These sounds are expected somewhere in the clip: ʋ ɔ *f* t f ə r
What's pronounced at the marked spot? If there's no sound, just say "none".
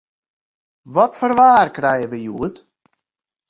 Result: none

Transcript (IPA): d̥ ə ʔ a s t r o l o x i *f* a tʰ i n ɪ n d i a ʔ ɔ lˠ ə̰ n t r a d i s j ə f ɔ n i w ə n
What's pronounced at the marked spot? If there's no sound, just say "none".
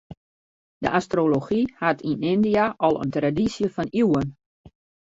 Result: h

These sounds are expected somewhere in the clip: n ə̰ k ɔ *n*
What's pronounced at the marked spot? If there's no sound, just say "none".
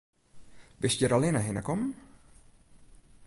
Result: m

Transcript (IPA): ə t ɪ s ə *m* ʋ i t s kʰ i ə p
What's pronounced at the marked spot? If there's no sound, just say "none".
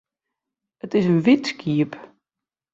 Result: n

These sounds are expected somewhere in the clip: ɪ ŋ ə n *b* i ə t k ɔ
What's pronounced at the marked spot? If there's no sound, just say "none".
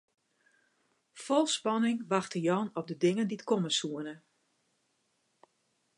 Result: d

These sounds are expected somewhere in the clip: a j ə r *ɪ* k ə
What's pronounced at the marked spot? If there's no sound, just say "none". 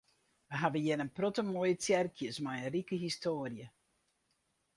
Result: i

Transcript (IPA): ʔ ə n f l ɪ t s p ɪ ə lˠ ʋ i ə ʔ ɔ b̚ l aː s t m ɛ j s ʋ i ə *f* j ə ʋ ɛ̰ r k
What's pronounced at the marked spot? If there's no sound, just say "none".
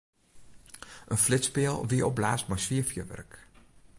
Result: f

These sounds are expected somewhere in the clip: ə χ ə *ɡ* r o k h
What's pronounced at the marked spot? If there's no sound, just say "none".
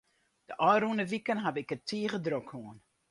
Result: d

